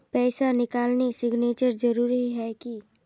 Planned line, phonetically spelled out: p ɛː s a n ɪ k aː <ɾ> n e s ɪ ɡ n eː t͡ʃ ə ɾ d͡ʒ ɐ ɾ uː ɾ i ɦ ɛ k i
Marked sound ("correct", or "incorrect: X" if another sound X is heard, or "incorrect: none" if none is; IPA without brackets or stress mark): incorrect: l